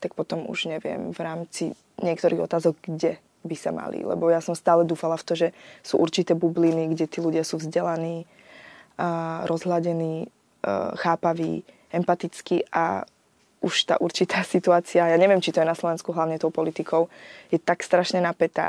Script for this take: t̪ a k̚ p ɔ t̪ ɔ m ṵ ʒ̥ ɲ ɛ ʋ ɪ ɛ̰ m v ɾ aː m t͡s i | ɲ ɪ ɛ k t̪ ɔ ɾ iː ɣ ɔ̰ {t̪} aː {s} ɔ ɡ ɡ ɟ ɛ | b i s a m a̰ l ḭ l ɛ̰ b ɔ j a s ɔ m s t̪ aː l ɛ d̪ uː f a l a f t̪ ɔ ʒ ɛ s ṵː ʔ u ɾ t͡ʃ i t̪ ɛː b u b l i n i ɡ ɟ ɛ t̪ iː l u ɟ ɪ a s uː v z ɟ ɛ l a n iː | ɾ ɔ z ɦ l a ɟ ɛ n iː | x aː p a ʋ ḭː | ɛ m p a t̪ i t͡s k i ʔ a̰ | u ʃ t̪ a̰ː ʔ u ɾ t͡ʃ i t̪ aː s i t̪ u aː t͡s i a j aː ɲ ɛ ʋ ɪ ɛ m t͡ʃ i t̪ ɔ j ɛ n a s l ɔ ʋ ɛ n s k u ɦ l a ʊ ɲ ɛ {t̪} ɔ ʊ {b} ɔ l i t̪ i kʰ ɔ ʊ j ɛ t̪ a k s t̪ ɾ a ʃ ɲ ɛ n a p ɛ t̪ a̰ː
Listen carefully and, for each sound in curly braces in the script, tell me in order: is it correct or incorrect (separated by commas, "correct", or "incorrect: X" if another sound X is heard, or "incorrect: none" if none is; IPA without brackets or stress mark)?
correct, incorrect: z, correct, incorrect: p